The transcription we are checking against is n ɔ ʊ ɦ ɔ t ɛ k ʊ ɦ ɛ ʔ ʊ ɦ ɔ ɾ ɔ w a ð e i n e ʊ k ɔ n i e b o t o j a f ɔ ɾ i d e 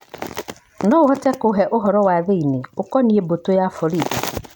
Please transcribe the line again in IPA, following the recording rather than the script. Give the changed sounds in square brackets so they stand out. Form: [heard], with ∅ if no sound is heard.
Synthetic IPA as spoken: n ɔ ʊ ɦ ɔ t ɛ k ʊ ɦ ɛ ʔ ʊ ɦ ɔ ɾ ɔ w a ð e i n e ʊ k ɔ n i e b o t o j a f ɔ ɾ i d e

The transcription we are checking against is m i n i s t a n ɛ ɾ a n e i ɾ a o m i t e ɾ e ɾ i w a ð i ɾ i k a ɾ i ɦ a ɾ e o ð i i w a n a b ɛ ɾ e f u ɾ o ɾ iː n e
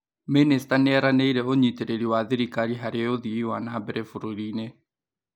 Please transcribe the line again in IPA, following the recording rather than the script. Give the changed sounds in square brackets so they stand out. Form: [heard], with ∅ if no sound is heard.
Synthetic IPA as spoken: m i n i s t a n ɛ ɾ a n e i ɾ [ɛ] o [ɲ] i t e ɾ e ɾ i w a ð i ɾ i k a ɾ i ɦ a ɾ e o ð i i w a n a b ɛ ɾ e f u ɾ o ɾ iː n e

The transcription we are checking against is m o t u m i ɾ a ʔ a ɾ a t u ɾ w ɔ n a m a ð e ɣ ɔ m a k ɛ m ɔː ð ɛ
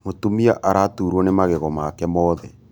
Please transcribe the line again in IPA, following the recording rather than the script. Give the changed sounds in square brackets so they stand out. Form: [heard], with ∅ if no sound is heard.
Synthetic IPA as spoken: m o t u m i [∅] a ʔ a ɾ a t u ɾ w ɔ n [e] m a [ɣ] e ɣ ɔ m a k ɛ m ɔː ð ɛ

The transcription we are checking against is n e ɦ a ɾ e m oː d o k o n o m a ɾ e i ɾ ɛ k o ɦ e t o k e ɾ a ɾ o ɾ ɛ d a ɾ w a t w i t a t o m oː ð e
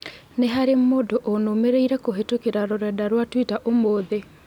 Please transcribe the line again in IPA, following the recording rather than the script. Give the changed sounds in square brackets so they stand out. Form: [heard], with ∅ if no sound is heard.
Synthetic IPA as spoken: n e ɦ a ɾ e m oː d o [ʔ] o n o m [e] ɾ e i ɾ ɛ k o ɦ e t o k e ɾ a ɾ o ɾ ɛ d a ɾ w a t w i t a [ʔ] o m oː ð e

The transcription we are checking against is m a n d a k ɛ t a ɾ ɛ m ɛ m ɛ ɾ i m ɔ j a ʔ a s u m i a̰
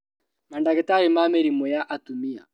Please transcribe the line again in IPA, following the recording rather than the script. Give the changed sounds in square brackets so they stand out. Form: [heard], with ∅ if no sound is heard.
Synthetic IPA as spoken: m a n d a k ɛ t a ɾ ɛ m [a] m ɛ ɾ i m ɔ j a ʔ a [t] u m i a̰

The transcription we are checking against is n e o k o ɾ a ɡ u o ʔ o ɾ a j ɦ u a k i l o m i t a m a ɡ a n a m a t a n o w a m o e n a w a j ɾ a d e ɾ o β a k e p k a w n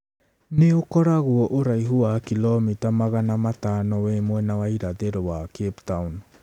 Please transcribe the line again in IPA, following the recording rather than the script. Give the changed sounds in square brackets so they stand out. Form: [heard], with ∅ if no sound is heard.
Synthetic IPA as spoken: n e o k o ɾ a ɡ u o ʔ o ɾ a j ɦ u a k i l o m i t a m a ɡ a n a m a t a n o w [e] m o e n a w a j ɾ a d e ɾ o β a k e p [t] a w n

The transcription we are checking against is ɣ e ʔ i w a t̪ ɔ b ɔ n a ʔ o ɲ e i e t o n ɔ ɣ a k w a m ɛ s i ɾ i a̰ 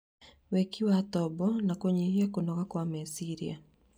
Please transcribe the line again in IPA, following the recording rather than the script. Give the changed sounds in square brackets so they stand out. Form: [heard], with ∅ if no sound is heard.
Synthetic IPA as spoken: [w] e [k] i w a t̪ ɔ b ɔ n a [k] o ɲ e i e [k] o n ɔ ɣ a k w a m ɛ s i ɾ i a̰

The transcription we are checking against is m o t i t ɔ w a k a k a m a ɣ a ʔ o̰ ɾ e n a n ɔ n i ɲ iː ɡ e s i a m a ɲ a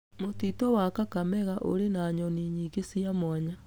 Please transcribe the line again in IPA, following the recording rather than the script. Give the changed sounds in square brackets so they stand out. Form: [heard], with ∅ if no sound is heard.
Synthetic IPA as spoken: m o t i t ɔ w a k a k a m [ɛ] ɣ a ʔ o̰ ɾ e n a [ɲ] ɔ n i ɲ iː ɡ e s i a m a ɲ a

